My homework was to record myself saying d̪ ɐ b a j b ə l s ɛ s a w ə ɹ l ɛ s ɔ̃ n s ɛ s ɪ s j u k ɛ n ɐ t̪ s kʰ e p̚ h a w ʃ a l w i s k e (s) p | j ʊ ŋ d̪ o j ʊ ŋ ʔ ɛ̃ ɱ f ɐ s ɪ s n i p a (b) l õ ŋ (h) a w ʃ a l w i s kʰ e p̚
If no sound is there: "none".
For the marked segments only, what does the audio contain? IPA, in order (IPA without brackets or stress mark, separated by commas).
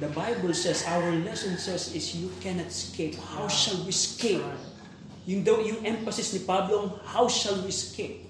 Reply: none, b, h